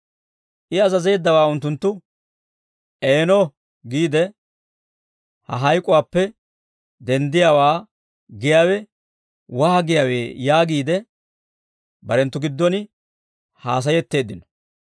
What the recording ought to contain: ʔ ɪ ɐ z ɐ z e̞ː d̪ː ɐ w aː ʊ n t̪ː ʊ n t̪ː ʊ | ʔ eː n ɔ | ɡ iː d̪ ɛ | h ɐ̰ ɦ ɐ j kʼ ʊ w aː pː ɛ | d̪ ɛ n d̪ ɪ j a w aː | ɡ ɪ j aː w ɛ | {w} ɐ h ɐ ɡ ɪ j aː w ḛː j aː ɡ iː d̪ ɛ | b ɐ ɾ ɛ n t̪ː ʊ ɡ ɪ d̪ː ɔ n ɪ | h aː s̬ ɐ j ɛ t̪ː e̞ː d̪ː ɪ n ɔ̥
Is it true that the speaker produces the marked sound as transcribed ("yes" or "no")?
yes